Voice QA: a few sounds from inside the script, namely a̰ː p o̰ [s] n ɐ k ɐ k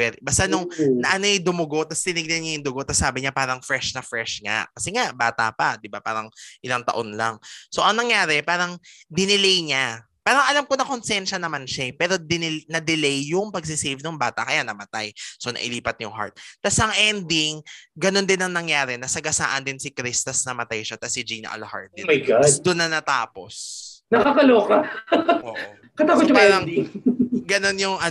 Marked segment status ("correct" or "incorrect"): correct